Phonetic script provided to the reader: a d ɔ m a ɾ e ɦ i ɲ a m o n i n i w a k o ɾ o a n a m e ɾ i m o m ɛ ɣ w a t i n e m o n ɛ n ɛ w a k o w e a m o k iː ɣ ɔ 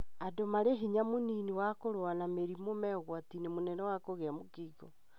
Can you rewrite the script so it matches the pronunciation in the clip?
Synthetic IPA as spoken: a d o m a ɾ e ɦ i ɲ a m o n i n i w a k o ɾ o a n a m e ɾ i m o m ɛ ɣ w a t i n e m o n ɛ n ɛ w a k o ɣ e a m o k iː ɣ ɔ